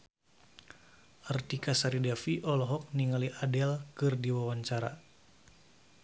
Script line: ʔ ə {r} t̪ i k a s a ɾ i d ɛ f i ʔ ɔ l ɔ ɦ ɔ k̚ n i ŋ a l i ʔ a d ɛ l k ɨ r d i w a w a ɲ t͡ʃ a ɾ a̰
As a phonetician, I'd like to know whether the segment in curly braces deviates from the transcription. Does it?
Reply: no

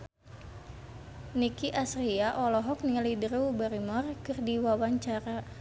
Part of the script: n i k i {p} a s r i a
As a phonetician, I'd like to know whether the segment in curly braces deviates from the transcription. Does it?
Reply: yes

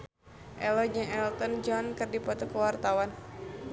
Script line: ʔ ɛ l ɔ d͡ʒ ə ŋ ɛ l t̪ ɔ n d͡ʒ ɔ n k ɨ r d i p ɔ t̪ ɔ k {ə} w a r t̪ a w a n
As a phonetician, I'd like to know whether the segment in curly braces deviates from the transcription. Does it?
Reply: no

